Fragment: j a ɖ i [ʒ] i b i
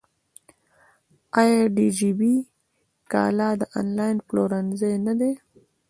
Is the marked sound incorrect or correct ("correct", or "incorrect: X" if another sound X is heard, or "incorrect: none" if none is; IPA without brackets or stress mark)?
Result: incorrect: d͡ʒ